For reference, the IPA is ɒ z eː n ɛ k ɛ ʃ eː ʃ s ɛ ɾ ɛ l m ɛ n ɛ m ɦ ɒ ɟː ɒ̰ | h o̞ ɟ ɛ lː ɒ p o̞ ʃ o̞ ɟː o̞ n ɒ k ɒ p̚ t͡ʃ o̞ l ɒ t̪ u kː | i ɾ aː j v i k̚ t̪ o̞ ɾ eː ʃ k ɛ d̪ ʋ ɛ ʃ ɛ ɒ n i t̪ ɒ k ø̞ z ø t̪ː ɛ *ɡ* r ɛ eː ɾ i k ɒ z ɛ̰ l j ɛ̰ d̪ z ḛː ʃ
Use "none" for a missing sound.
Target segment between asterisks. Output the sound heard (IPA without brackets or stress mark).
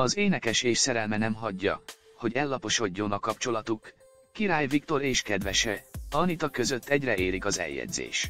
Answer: ɟ